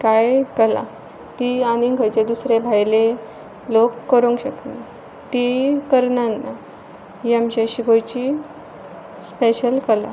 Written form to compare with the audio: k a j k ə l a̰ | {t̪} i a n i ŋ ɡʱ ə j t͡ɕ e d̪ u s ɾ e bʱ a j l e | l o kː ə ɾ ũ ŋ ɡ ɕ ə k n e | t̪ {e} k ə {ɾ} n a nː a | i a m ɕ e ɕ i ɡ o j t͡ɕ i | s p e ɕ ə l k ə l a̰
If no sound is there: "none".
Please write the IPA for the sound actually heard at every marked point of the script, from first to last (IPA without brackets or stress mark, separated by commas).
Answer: t̪, i, ɾ